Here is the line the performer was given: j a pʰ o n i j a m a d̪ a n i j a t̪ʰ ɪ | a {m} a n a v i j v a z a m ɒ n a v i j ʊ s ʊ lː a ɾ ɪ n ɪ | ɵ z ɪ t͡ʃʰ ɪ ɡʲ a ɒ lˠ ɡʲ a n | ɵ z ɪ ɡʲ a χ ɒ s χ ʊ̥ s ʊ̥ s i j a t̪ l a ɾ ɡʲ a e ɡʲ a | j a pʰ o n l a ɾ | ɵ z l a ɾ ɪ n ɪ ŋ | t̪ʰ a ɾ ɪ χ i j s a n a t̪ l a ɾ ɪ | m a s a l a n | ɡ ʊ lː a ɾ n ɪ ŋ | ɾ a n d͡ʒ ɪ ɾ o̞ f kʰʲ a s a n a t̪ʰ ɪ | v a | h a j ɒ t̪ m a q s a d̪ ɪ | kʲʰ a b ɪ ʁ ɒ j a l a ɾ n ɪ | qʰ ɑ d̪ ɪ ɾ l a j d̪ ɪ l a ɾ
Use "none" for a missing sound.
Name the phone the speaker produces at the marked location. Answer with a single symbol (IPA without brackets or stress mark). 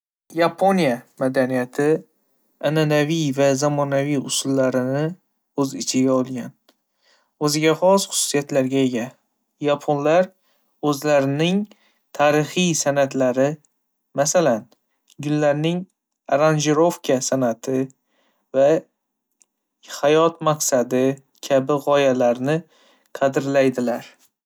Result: n